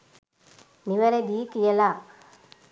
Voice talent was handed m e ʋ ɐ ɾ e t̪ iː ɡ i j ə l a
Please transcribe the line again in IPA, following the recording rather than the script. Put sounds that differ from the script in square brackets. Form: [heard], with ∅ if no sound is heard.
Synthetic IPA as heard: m [i] ʋ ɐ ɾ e [d̪] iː [k] i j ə l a